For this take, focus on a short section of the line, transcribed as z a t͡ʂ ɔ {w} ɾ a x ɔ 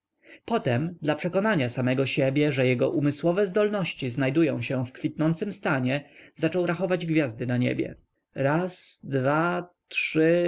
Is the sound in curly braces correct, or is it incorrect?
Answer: correct